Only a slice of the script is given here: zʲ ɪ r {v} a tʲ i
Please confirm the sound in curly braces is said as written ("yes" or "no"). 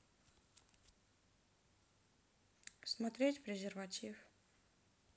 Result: yes